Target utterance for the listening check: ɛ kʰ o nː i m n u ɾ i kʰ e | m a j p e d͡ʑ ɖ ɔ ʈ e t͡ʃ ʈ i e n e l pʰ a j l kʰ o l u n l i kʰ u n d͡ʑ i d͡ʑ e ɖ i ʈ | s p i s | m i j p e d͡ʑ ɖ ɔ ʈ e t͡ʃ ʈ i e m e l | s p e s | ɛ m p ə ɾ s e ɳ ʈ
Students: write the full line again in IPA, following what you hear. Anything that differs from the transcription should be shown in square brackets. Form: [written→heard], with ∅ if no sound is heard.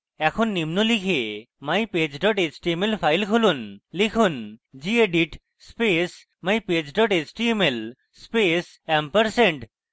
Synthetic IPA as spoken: ɛ kʰ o nː i m n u [ɾ→l] i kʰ e | m a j p e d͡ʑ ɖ ɔ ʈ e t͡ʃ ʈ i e [n→m] e l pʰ a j l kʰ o l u n l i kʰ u n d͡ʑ i [d͡ʑ→∅] e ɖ i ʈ | s p [i→e] s | m [i→a] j p e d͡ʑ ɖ ɔ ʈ e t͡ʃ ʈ i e m e l | s p e s | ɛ m p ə ɾ s e ɳ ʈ